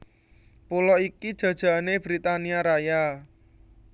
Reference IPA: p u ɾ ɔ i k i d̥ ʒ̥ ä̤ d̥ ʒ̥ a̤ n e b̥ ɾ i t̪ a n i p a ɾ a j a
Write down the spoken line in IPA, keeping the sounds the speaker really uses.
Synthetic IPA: p u l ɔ i k i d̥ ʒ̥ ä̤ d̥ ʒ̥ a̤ n e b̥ ɾ i t̪ a n i a ɾ a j a